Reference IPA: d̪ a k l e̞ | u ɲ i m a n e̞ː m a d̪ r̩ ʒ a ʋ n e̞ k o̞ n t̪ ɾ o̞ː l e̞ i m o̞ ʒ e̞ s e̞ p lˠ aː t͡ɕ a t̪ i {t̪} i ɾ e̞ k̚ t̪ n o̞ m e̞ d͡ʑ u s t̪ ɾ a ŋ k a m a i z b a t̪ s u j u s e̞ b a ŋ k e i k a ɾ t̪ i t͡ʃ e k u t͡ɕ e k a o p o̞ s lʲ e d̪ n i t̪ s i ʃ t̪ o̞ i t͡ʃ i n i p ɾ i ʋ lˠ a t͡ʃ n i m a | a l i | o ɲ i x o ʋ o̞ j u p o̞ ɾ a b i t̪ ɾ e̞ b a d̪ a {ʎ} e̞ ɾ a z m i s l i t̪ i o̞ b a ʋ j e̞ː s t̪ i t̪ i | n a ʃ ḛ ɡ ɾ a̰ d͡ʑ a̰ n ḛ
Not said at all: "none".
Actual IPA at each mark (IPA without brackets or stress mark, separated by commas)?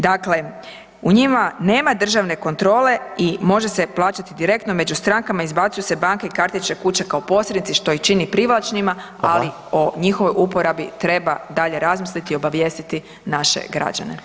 d̪, ʎ